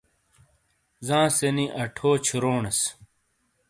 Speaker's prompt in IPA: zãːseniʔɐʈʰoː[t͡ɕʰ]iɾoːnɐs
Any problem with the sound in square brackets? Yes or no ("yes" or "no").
no